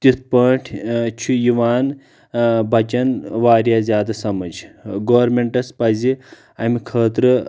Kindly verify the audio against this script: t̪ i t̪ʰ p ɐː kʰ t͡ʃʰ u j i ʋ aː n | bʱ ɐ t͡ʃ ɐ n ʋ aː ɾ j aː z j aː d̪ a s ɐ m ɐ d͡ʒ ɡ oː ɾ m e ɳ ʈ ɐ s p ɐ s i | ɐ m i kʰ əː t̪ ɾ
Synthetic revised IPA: t̪ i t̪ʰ p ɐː ʈʰ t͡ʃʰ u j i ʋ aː n | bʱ ɐ t͡ʃ ɐ n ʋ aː ɾ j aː z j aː d̪ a s ɐ m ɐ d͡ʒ ɡ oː ɾ m e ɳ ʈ ɐ s p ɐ z i | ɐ m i kʰ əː t̪ ɾ